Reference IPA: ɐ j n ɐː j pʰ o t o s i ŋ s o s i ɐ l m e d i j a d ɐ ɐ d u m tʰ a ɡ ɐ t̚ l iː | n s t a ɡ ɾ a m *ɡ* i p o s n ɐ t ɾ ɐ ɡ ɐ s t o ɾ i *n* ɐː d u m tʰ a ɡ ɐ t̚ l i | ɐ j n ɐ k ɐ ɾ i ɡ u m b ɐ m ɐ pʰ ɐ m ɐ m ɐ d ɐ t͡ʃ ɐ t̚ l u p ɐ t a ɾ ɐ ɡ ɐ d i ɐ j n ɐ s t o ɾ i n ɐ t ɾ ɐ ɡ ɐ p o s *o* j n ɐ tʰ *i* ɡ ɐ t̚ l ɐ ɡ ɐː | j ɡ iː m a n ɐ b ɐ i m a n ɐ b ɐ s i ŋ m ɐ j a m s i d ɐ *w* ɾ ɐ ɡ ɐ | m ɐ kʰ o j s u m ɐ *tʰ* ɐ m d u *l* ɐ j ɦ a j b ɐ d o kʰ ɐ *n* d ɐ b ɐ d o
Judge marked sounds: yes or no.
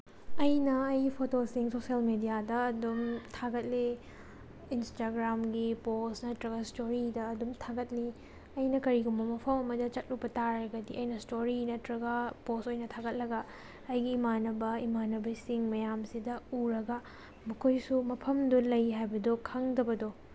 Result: yes, no, yes, no, no, no, yes, no

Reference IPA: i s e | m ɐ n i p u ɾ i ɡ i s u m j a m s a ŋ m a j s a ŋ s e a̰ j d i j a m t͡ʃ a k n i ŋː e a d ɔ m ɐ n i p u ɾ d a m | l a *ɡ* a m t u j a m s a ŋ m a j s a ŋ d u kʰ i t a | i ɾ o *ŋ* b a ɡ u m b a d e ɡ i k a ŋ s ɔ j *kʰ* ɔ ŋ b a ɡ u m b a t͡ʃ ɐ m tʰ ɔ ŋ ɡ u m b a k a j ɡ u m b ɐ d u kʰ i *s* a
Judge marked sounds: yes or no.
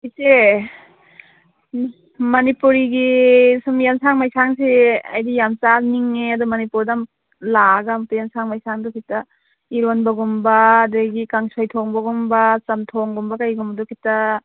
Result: yes, no, no, no

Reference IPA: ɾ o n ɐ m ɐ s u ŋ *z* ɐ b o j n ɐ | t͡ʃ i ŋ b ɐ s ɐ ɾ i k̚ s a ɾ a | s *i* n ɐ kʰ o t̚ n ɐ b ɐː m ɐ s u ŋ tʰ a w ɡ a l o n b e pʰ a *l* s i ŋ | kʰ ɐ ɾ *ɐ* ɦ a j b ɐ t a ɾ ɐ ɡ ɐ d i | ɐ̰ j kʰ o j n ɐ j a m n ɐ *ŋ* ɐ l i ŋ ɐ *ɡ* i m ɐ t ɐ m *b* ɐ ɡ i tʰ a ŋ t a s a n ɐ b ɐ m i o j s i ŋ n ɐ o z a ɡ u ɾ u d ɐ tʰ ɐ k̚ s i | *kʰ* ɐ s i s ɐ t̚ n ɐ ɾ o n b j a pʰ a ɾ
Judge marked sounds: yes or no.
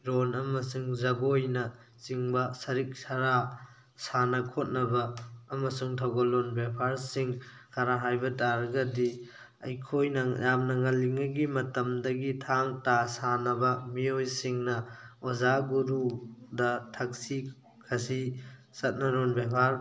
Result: yes, no, no, no, yes, yes, no, yes

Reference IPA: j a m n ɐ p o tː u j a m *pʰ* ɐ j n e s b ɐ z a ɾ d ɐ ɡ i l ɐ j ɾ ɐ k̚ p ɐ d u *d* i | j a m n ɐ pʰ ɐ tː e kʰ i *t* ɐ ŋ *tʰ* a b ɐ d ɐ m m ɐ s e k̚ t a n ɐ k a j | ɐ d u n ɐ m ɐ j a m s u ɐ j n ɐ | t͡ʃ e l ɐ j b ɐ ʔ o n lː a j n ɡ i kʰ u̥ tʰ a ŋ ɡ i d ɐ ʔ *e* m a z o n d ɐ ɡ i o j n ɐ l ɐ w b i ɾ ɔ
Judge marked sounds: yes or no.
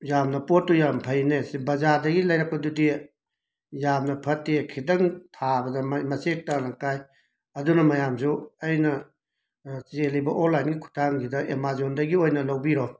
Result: yes, yes, no, yes, yes

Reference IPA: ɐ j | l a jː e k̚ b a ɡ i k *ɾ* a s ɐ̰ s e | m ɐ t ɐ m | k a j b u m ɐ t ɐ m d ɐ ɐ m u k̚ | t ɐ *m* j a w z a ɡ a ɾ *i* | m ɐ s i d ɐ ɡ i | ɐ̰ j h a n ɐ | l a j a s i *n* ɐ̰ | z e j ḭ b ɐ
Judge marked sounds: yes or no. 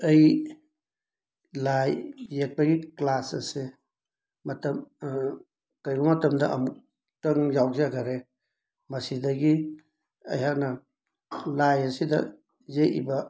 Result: no, no, no, no

